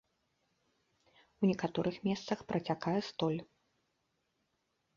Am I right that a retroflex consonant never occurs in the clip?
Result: yes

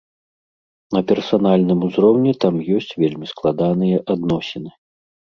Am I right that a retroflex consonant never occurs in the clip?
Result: yes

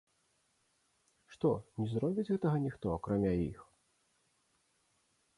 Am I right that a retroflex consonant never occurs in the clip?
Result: no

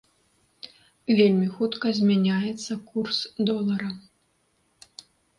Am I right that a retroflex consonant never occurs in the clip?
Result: yes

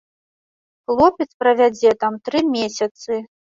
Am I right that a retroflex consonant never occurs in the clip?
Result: yes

